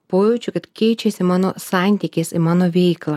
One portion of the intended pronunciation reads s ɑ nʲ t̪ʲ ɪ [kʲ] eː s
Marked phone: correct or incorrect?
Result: correct